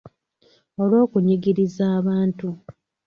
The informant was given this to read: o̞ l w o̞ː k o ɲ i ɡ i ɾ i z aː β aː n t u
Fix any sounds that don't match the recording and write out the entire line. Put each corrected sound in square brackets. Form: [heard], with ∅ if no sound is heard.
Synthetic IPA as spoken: o̞ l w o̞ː k [u] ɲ i ɡ i ɾ i z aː β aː n t u